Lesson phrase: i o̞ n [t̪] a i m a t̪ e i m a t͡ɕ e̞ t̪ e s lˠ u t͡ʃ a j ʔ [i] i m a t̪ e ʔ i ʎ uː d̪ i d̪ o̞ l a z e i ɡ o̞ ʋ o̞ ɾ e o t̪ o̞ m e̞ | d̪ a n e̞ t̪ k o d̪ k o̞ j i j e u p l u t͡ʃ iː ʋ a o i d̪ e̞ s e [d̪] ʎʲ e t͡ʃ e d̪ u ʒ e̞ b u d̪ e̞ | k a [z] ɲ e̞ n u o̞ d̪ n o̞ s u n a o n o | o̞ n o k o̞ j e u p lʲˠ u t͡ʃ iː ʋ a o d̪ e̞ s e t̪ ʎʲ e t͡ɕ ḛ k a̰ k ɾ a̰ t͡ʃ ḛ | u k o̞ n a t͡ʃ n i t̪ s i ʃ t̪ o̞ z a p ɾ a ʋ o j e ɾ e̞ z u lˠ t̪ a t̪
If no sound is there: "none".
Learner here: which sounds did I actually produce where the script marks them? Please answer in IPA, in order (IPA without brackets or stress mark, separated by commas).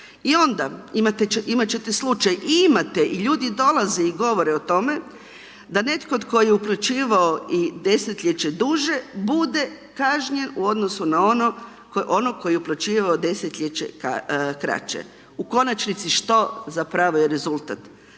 d̪, i, t̪, ʒ